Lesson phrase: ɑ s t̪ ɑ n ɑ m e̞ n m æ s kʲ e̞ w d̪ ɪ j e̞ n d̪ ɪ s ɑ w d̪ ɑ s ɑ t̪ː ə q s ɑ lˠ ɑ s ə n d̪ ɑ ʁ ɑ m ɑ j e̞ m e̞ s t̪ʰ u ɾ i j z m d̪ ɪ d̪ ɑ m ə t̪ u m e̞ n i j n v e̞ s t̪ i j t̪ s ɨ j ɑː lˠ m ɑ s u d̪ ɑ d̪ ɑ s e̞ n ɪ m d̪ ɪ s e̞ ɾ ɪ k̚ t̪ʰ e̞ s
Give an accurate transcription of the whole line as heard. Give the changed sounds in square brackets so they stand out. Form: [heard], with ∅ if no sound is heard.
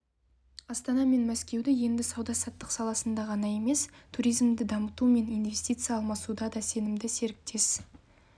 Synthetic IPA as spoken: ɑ s t̪ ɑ n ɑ m e̞ n m æ s kʲ e̞ w d̪ ɪ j e̞ n d̪ ɪ s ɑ w d̪ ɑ s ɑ t̪ː ə q s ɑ lˠ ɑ s ə n d̪ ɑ ʁ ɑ [n] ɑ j e̞ m e̞ s t̪ʰ u ɾ i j z m d̪ ɪ d̪ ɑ m ə t̪ u m e̞ n i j n v e̞ s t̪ i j t̪ s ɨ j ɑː lˠ m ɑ s u d̪ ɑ d̪ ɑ s e̞ n ɪ m d̪ ɪ s e̞ ɾ ɪ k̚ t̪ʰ e̞ s